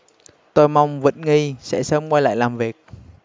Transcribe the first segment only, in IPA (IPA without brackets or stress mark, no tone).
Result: t̪